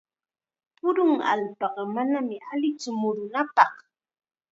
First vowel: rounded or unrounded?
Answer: rounded